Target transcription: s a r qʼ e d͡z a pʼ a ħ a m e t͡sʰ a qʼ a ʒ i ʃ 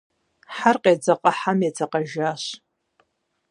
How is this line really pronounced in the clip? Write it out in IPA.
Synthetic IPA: ħ a r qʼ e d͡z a qʼ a ħ a m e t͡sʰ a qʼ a ʒ a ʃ